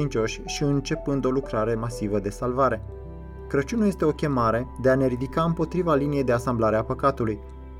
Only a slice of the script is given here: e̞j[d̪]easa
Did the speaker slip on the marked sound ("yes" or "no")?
no